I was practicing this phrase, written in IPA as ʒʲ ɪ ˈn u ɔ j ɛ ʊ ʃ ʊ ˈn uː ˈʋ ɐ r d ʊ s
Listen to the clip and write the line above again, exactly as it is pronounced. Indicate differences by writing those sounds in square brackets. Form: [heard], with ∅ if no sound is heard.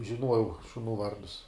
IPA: ʒʲ ɪ ˈn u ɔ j ɛ ʊ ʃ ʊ ˈn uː ˈʋ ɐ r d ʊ s

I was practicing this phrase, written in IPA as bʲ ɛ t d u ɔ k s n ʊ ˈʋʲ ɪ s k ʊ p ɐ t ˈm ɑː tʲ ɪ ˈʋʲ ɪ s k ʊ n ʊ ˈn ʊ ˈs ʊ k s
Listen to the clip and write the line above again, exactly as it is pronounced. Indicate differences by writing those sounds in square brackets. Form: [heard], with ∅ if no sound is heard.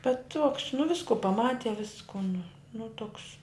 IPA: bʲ ɛ t [t] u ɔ k s n ʊ ˈʋʲ ɪ s k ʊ p ɐ [∅] ˈm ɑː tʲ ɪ ˈʋʲ ɪ s k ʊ n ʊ ˈn ʊ [ˈt] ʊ k s

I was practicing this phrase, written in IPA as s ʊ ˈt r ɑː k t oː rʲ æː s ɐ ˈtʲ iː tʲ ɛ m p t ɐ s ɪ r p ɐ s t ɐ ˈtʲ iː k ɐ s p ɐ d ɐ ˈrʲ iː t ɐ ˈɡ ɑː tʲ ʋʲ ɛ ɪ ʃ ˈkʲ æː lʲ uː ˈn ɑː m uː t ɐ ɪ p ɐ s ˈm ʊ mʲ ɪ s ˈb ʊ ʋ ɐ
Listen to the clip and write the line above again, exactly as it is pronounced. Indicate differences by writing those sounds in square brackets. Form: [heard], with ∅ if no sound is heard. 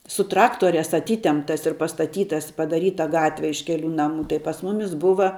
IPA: s ʊ ˈt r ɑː k t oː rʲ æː s ɐ ˈtʲ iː tʲ ɛ m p t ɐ s ɪ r p ɐ s t ɐ ˈtʲ iː [t] ɐ s p ɐ d ɐ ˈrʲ iː t ɐ ˈɡ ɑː tʲ ʋʲ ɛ ɪ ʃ ˈkʲ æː lʲ uː ˈn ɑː m uː t ɐ ɪ p ɐ s ˈm ʊ mʲ ɪ s ˈb ʊ ʋ ɐ

